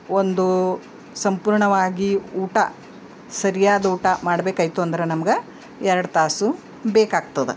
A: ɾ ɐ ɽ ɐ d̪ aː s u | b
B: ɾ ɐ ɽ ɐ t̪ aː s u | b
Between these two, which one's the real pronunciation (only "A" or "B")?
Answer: B